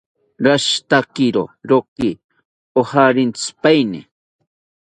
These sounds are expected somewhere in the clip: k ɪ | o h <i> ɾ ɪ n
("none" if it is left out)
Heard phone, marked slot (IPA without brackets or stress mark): a